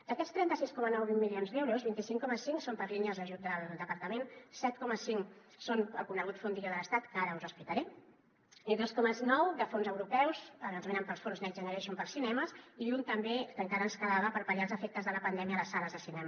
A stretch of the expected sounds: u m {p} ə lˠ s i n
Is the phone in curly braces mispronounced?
no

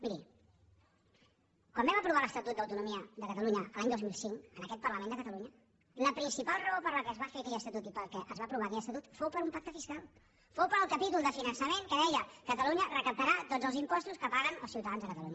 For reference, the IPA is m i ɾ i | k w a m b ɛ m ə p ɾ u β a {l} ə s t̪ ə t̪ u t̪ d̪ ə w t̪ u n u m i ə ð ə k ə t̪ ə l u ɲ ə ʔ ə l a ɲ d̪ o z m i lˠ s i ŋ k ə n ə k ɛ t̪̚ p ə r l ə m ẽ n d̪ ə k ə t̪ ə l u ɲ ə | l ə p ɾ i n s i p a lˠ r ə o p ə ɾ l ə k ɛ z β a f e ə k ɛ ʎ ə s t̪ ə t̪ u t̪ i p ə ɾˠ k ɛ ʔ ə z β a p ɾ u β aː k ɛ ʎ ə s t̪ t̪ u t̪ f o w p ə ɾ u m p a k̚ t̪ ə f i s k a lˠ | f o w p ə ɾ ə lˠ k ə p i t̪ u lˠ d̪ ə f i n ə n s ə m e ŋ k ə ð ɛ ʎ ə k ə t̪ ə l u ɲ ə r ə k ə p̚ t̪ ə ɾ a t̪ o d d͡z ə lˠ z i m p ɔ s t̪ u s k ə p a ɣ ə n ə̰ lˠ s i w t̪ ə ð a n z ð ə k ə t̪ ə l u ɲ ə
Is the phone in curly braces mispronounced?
no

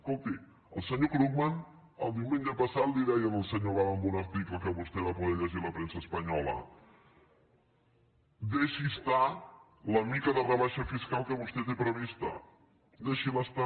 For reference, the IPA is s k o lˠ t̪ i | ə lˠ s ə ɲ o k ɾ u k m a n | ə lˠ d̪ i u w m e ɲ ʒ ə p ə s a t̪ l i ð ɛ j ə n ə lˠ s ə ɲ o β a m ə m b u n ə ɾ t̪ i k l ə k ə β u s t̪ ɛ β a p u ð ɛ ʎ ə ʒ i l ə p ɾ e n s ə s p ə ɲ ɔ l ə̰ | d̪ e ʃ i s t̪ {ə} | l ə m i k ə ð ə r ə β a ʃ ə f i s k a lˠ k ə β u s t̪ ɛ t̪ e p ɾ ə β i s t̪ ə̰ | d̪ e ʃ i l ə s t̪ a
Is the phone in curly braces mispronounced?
yes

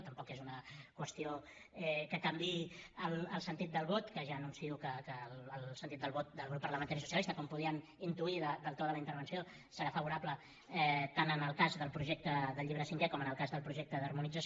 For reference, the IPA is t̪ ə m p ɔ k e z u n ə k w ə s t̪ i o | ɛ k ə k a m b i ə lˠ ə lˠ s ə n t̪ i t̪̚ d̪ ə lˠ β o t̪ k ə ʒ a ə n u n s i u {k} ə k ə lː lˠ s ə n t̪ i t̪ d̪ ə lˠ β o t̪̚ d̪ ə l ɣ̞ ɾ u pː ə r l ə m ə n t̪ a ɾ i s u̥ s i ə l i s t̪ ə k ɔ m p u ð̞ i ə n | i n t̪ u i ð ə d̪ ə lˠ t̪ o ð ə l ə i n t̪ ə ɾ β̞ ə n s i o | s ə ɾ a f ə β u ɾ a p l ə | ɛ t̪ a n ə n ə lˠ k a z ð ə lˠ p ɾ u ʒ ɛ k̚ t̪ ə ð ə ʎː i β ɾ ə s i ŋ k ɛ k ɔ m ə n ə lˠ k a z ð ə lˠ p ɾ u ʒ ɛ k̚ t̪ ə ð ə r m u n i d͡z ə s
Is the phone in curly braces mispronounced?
no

